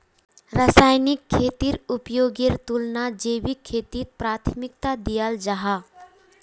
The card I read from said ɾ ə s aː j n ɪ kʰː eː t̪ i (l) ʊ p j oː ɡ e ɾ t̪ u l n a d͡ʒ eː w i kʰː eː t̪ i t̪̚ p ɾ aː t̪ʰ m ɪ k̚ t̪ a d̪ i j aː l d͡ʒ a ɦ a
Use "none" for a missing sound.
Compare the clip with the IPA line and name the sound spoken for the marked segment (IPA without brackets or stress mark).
ɾ